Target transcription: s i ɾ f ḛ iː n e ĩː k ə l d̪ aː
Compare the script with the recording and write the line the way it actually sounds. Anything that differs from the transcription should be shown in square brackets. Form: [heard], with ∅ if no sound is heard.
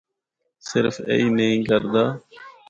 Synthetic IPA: s [ɪ] ɾ f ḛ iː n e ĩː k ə [ɾ] d̪ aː